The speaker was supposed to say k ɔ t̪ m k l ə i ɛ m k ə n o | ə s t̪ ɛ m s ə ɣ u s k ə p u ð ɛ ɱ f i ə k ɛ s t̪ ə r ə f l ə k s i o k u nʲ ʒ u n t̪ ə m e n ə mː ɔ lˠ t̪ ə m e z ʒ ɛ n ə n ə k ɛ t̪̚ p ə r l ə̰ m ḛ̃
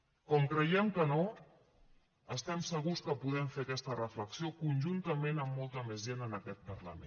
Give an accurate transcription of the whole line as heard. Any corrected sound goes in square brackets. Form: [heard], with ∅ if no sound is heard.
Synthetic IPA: k ɔ [∅] m k [ɾ] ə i ɛ m k ə n o | ə s t̪ ɛ m s ə ɣ u s k ə p u ð ɛ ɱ f [e] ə k ɛ s t̪ ə r ə f l ə k s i o k u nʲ ʒ u n t̪ ə m e n ə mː ɔ lˠ t̪ ə m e z ʒ [e] n ə n ə k ɛ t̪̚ p ə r l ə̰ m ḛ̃